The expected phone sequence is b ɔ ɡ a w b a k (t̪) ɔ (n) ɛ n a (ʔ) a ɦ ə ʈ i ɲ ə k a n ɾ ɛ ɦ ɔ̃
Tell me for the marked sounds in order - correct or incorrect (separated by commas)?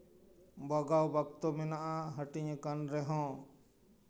correct, incorrect, correct